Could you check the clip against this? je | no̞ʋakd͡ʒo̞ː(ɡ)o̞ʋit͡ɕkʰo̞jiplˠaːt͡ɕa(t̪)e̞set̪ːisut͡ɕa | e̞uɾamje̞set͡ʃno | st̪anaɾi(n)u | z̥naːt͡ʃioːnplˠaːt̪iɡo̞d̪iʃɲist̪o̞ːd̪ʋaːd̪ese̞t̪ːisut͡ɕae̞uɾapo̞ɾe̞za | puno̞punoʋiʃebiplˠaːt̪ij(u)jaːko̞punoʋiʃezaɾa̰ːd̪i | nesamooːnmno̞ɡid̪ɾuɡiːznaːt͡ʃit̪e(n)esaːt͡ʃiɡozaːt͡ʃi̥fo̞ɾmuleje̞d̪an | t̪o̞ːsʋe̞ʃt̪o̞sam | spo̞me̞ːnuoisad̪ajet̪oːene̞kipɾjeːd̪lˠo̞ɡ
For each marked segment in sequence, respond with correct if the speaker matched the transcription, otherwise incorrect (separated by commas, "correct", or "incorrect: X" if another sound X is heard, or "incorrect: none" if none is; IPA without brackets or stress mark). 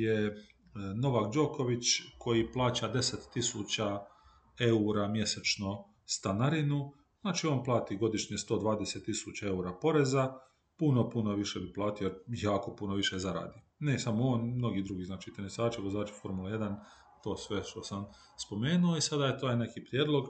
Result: incorrect: k, incorrect: d̪, correct, incorrect: o, correct